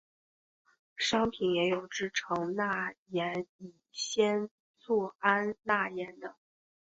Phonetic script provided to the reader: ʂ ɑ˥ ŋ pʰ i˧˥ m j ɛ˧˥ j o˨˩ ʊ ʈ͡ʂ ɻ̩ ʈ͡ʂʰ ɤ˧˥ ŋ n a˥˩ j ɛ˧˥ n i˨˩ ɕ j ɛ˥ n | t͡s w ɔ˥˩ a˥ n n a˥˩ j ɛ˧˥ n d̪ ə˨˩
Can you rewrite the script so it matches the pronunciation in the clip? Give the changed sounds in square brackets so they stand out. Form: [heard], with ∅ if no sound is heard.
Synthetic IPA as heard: ʂ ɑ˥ ŋ pʰ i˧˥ [n] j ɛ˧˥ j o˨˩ ʊ ʈ͡ʂ ɻ̩ ʈ͡ʂʰ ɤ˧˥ ŋ n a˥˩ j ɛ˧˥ n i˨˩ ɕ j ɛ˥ n | t͡s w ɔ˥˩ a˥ n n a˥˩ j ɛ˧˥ n d̪ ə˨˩